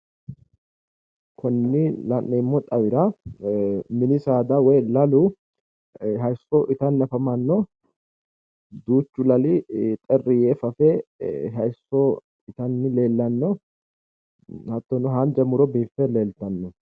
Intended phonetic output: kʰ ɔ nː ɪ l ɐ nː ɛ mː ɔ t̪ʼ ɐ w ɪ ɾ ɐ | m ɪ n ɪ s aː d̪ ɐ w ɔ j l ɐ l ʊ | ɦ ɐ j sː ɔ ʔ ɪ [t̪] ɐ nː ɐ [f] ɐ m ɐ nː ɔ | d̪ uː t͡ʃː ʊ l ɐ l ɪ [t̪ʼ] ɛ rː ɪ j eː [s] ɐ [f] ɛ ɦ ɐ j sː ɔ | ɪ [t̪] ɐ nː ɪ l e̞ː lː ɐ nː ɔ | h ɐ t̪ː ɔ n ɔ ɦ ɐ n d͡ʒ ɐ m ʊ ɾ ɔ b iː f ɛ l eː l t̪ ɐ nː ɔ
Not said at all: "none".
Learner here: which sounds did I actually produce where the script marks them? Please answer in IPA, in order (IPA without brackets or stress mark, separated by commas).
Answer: t̪, f, t̪ʼ, f, f, t̪